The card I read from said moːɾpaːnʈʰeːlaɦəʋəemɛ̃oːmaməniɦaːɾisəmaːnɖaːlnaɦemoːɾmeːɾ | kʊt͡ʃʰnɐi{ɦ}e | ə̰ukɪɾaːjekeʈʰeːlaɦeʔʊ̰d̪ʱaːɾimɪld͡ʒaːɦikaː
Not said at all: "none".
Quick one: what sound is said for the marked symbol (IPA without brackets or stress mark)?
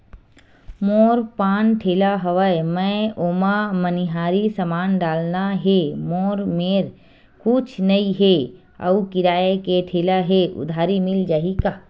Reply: ɦ